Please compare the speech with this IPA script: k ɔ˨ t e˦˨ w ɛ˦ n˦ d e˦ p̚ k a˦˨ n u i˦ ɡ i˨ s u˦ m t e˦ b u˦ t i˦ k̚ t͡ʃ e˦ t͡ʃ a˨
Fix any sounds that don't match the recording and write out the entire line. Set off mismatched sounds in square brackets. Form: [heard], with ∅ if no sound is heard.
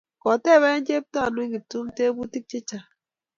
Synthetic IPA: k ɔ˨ t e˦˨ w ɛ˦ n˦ [d͡ʒ] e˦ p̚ [t] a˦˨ n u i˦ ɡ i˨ [t] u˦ m t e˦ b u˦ t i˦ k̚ t͡ʃ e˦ t͡ʃ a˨